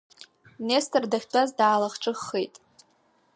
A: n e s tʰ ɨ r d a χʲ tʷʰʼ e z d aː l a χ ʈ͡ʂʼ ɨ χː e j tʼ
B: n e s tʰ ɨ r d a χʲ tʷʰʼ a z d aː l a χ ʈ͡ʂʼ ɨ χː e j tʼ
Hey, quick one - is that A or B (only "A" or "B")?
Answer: B